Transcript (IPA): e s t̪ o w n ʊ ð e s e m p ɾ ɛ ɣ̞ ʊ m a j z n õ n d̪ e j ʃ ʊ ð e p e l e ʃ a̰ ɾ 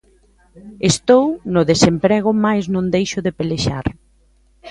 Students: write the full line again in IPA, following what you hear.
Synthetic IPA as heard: e s t̪ o w n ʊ ð e s e m p ɾ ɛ ɣ̞ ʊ m a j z n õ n d̪ e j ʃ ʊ ð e p e l e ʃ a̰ ɾ